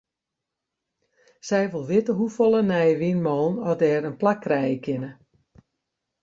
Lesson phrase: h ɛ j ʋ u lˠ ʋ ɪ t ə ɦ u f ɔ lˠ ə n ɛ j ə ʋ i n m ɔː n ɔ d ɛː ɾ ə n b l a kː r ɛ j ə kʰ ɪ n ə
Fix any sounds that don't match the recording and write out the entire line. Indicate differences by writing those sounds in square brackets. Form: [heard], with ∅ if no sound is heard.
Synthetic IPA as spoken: [s] ɛ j ʋ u lˠ ʋ ɪ t ə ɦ u f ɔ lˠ ə n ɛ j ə ʋ i n m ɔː n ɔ d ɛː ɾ ə n [p] l a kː r ɛ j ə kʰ ɪ n ə